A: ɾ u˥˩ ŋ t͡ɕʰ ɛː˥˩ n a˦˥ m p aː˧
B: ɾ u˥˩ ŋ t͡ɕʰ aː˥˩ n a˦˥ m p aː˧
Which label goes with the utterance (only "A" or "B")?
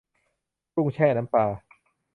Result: A